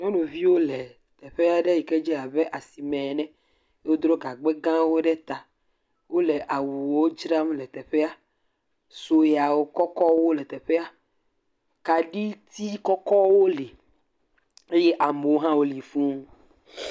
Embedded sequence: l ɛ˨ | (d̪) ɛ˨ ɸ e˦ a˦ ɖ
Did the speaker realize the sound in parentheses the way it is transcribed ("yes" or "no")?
no